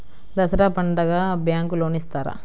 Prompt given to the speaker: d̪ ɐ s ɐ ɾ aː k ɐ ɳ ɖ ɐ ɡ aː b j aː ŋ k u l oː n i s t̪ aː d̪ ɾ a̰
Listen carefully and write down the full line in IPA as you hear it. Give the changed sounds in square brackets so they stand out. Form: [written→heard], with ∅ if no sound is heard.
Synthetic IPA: d̪ ɐ s ɐ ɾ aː [k→p] ɐ ɳ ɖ ɐ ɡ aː b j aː ŋ k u l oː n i s t̪ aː [d̪→∅] ɾ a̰